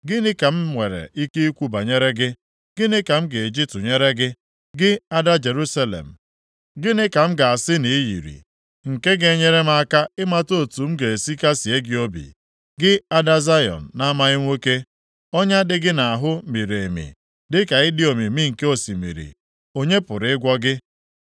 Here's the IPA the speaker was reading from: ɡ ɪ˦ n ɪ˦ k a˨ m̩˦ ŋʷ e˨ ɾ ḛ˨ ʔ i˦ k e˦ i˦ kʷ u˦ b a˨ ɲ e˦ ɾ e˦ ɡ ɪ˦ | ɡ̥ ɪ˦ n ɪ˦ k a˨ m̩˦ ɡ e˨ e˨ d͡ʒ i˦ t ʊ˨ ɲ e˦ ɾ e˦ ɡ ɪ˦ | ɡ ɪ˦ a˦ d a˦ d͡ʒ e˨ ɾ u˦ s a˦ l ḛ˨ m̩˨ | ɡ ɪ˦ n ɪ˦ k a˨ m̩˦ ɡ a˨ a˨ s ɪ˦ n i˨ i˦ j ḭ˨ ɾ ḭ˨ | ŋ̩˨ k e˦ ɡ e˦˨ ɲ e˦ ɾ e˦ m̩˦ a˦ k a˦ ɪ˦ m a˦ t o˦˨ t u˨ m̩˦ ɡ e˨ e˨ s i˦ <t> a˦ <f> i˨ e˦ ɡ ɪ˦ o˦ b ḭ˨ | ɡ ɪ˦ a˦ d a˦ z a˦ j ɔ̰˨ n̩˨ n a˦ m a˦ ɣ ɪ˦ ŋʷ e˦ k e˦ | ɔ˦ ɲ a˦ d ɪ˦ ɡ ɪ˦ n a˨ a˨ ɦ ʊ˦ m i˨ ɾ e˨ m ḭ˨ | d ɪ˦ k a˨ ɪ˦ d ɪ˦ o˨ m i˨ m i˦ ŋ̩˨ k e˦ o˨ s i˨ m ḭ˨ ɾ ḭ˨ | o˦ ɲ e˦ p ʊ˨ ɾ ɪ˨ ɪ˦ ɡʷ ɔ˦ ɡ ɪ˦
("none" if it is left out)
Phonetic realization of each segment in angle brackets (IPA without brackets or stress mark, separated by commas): k, s